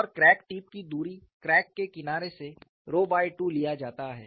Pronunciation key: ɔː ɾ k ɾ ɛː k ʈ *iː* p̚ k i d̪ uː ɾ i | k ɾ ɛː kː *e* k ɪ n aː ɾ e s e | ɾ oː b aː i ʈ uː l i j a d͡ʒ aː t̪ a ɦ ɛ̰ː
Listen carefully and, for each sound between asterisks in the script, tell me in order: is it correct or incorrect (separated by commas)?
correct, correct